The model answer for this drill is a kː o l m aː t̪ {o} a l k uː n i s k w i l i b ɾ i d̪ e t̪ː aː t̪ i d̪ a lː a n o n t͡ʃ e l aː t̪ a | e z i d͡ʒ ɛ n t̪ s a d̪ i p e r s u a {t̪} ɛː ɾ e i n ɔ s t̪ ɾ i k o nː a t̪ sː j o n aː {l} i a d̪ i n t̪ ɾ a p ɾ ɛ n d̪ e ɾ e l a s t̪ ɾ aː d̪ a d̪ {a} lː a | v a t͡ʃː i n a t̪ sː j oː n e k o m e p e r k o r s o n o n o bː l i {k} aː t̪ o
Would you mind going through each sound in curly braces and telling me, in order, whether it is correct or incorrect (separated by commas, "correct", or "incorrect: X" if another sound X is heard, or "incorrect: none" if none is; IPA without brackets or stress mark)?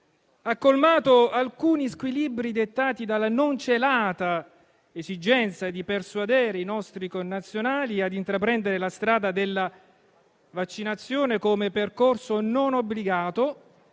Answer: correct, incorrect: d̪, correct, incorrect: e, incorrect: ɡ